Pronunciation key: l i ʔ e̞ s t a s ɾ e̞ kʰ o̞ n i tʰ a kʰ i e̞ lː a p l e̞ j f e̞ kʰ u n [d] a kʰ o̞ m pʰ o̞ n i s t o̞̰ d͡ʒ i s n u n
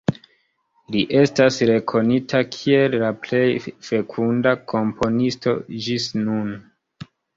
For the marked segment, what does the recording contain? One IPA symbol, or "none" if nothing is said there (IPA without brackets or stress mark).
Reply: d